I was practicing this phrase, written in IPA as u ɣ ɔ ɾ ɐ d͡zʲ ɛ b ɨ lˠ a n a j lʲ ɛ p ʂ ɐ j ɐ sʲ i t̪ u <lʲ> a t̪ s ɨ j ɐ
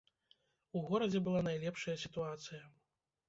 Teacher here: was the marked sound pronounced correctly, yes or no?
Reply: no